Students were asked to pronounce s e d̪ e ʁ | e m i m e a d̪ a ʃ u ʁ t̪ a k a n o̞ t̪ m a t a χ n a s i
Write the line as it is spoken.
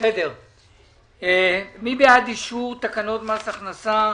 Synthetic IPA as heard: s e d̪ e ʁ | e m i b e a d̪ i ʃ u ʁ t̪ a k a n o̞ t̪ m a s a χ n a s a